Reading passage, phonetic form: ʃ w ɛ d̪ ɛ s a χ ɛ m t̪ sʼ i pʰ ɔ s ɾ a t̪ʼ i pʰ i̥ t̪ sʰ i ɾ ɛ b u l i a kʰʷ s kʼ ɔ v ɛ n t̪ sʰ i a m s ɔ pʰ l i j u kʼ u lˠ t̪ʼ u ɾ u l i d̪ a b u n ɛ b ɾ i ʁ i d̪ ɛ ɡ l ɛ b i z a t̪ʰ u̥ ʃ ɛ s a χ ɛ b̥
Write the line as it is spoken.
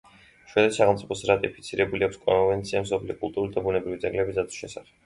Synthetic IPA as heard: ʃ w ɛ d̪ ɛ s a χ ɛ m t̪ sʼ i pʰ ɔ s ɾ a t̪ʼ i pʰ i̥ t̪ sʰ i ɾ ɛ b u l i a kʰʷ s kʼ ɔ v ɛ n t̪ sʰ i a m s ɔ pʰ l i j ɔ kʼ u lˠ t̪ʼ u ɾ u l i d̪ a b u n ɛ b ɾ i v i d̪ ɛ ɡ l ɛ b i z a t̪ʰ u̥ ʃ ɛ s a χ ɛ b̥